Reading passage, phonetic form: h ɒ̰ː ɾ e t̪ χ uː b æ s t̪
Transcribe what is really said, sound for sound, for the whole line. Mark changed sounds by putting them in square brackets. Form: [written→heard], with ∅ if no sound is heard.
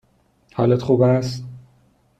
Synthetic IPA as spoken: h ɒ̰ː [ɾ→l] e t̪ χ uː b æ s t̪